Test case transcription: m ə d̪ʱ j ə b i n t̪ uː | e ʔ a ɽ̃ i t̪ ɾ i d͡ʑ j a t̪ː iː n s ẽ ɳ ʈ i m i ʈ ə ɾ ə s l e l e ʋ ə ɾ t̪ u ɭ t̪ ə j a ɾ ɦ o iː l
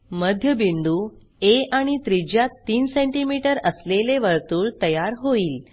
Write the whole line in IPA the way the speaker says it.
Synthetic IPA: m ə d̪ʱ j ə b i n d̪ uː | e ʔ a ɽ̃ i t̪ ɾ i d͡ʑ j a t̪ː iː n s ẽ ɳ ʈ i m i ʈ ə ɾ ə s l e l e ʋ ə ɾ t̪ uː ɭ t̪ ə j a ɾ ɦ o iː l